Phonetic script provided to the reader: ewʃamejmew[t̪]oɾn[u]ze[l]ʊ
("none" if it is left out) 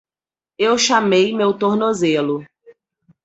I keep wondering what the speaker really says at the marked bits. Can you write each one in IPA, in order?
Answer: t̪, o, l

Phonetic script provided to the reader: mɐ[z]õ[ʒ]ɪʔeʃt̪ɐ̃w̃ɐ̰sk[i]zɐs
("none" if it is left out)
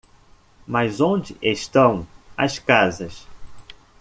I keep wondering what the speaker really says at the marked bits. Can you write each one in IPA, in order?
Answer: z, d͡ʒ, a

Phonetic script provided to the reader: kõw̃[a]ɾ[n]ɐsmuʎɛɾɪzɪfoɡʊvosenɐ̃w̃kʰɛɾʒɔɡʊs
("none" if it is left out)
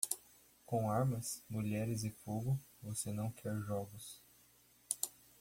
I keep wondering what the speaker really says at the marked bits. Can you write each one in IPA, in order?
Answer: a, m

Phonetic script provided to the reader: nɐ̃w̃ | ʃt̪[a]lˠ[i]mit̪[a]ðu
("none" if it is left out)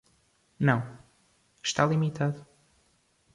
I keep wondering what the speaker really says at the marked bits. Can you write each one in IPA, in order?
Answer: a, i, a

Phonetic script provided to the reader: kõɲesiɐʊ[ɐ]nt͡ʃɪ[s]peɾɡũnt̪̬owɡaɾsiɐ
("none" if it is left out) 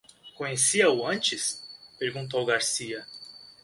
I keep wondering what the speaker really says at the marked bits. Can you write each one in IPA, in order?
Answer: ɐ̃, s

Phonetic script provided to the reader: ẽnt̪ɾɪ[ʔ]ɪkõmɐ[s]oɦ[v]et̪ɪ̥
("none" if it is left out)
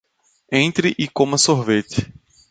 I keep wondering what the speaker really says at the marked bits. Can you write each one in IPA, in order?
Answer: ʔ, s, v

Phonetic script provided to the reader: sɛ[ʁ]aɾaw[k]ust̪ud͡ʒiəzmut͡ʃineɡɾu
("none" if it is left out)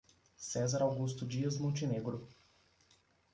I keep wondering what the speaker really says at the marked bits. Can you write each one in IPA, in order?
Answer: z, ɡ

